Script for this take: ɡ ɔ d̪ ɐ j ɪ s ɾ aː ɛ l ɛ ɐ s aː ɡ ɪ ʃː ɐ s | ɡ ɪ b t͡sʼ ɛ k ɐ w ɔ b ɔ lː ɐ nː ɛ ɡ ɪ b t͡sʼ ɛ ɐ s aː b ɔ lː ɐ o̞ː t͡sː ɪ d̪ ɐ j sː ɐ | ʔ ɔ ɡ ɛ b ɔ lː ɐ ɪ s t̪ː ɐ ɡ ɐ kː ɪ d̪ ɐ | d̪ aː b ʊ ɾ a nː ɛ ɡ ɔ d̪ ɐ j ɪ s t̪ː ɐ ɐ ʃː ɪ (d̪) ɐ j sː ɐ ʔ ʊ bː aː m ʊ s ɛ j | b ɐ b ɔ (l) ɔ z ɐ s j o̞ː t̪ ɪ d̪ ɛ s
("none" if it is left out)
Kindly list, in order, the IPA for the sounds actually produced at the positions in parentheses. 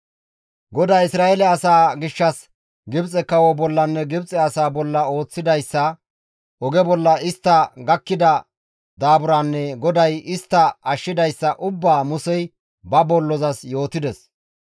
d̪, lː

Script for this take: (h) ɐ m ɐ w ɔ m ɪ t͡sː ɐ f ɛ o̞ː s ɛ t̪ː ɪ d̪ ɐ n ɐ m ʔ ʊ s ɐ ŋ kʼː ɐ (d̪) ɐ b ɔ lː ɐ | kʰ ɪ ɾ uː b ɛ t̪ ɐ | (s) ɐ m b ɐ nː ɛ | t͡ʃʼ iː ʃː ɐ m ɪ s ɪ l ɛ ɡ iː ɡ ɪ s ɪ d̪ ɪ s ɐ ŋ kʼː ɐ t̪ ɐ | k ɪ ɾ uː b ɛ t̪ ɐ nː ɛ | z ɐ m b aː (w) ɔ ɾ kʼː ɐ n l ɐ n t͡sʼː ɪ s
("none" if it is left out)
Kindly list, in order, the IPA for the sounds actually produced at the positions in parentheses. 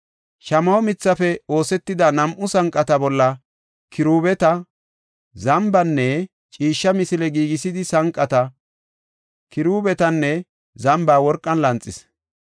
ʃ, t̪, z, w

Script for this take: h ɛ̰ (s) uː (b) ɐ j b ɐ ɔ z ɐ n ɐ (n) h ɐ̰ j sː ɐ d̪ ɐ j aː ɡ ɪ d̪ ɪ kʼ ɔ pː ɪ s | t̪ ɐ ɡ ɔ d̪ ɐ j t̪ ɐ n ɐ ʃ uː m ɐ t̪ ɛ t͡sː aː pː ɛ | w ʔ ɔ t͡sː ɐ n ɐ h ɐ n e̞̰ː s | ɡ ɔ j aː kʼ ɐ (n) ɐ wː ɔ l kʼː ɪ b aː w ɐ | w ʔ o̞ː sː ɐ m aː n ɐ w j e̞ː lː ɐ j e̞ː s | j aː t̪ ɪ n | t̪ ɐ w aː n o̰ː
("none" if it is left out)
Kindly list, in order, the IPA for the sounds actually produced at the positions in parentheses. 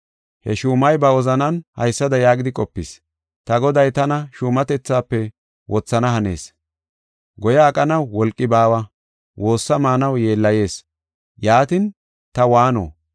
ʃ, m, n, n

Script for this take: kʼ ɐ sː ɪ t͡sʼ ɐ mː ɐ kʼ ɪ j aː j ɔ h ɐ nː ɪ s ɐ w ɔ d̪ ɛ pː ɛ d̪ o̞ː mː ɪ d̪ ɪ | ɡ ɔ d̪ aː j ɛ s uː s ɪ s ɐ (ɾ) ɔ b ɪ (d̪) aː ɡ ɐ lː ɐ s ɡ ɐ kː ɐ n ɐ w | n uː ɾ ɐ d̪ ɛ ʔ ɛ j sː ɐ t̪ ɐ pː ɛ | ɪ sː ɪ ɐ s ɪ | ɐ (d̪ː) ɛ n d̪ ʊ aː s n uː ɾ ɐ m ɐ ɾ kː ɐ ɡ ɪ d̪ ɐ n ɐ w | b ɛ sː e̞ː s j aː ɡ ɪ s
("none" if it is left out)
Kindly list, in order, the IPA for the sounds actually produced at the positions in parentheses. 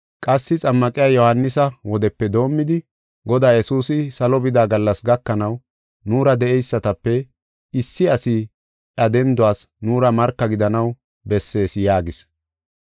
l, d̪, d̪

